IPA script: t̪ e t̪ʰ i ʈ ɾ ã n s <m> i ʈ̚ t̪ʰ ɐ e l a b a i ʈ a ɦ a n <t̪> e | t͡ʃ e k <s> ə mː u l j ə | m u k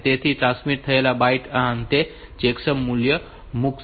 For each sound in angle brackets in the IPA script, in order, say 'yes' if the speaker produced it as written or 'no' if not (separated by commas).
yes, yes, yes